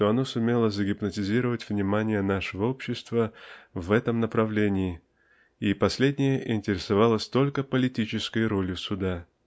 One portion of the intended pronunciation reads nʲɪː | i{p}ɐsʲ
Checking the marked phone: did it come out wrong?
no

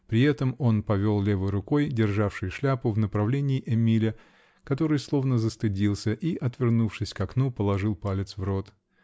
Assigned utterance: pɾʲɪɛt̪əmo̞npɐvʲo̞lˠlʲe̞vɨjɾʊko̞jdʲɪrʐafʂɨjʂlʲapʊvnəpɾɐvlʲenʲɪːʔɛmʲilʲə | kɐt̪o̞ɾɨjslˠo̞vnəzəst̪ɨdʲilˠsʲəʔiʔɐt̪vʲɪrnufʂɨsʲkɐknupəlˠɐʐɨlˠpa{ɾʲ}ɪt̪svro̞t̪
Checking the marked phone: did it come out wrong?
yes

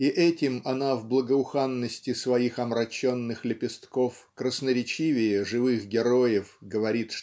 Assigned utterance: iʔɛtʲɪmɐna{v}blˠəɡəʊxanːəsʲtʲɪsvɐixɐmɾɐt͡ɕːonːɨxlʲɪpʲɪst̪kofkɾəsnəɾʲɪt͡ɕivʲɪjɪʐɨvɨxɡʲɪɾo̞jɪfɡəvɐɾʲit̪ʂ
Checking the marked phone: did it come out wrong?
no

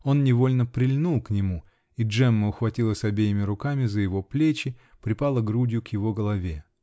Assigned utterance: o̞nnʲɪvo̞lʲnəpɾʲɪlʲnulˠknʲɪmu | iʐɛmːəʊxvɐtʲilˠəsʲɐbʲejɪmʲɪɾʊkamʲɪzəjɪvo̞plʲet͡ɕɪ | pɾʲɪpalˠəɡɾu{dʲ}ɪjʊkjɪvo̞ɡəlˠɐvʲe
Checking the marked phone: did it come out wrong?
no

